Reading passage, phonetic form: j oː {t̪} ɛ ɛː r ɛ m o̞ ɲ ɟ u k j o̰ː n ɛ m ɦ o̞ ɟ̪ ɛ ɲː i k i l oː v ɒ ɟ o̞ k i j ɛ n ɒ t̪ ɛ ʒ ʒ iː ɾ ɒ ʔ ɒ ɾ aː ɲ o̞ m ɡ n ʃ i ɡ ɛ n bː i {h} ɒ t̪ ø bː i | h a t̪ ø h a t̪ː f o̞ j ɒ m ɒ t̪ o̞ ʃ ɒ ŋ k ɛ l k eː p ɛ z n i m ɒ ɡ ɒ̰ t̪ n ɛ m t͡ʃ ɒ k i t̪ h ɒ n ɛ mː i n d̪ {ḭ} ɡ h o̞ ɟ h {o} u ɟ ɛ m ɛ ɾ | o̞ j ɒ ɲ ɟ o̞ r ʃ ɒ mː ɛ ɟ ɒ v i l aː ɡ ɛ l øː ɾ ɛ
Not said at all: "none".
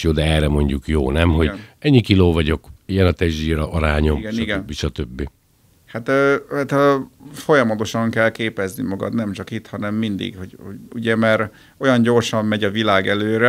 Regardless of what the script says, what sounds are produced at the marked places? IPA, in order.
d̪, ʃ, ḭ, o

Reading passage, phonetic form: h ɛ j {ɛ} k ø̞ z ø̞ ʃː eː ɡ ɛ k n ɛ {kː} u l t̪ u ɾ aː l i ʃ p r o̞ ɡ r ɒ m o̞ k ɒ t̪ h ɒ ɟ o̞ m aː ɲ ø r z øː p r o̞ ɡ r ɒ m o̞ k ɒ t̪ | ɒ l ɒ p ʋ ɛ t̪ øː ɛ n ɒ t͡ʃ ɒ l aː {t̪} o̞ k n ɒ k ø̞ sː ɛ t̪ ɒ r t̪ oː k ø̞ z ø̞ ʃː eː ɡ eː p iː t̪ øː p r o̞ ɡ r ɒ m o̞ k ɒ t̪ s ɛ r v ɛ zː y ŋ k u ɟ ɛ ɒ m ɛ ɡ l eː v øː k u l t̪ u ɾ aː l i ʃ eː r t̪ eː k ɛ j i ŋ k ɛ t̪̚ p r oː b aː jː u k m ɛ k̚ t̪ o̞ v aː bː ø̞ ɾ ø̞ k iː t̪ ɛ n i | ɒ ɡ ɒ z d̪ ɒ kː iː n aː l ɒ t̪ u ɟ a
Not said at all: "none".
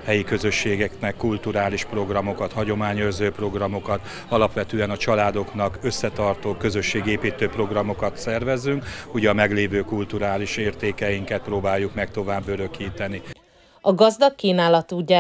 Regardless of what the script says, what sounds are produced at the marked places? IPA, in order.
i, kː, d̪

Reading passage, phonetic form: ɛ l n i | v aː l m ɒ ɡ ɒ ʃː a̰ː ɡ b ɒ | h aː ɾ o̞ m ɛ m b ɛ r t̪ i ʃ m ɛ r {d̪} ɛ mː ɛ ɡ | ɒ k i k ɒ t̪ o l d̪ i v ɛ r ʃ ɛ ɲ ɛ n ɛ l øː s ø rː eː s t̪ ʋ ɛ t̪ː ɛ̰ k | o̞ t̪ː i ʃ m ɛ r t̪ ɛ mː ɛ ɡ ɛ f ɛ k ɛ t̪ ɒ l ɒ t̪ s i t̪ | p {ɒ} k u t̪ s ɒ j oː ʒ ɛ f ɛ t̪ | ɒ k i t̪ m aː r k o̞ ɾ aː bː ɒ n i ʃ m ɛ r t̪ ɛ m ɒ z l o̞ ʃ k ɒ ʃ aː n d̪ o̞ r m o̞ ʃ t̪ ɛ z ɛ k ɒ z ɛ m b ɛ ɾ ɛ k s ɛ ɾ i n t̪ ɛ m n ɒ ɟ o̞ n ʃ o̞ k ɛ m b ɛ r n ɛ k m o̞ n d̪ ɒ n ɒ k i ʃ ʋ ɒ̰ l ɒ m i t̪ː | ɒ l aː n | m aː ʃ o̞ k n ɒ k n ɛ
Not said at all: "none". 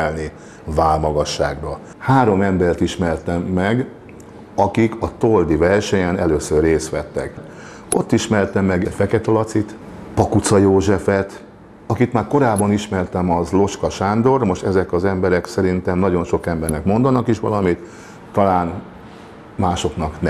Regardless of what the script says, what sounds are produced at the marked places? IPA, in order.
t̪, ɒ

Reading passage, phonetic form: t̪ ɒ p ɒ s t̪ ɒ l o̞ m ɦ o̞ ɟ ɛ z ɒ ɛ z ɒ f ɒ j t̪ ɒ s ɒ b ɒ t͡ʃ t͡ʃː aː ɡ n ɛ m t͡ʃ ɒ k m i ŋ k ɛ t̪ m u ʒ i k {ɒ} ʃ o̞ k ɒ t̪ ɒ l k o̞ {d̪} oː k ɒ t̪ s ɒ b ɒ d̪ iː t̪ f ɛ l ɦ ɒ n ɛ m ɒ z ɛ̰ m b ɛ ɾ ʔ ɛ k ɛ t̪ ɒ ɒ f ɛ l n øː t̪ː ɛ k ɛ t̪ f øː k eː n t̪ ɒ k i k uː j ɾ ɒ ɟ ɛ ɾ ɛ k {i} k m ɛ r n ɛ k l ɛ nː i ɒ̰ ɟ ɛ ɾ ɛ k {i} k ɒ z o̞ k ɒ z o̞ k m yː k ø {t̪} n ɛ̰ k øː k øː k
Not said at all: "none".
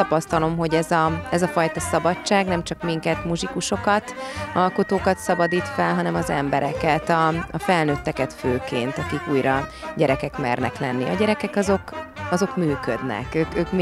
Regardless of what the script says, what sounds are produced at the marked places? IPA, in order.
u, t̪, ɛ, ɛ, d̪

